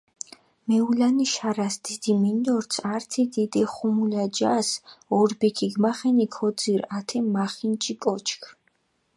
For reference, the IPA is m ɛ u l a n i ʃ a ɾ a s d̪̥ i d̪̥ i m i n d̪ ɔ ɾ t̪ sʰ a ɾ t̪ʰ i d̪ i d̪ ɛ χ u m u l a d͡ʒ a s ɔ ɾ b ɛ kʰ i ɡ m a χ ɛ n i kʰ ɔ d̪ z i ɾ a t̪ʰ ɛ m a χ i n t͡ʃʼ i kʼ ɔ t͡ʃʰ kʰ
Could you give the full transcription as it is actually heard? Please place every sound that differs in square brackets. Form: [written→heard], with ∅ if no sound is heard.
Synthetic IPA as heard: m ɛ u l a n i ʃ a ɾ a s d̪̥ i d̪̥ i m i n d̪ ɔ ɾ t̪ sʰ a ɾ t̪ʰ i d̪ i d̪ ɛ χ u m u l a d͡ʒ a s ɔ ɾ b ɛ kʰ i ɡ m a χ ɛ n i kʰ ɔ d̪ z i ɾ a t̪ʰ ɛ m a χ i n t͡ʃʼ i kʼ ɔ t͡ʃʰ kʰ